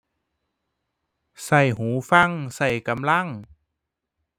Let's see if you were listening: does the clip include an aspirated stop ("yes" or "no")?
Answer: no